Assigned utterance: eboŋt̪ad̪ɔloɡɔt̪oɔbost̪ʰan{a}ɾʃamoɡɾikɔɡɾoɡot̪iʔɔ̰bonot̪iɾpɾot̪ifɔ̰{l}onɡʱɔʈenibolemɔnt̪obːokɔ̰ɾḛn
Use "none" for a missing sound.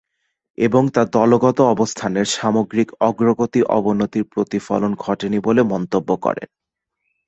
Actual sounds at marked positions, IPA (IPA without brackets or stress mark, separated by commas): e, l